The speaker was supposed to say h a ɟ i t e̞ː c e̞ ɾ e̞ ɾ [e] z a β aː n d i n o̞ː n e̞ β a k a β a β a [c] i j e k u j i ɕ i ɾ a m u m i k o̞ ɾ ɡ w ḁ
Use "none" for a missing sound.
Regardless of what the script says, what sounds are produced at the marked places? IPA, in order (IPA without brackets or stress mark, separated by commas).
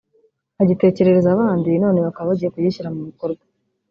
e, ɟ